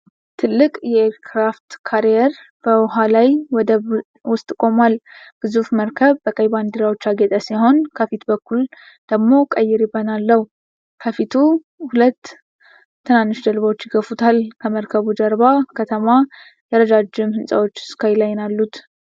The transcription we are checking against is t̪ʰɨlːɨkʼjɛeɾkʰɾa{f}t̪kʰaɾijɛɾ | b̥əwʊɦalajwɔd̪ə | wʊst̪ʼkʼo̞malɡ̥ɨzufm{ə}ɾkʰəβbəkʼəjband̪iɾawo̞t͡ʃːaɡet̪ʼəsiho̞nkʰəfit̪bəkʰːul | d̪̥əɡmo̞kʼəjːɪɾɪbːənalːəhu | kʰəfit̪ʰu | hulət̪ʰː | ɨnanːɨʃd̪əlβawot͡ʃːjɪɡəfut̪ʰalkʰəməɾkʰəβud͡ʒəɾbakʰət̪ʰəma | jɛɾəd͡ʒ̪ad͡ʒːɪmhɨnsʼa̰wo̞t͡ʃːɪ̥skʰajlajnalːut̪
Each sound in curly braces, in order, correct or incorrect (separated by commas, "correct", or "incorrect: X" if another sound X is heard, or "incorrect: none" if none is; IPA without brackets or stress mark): correct, correct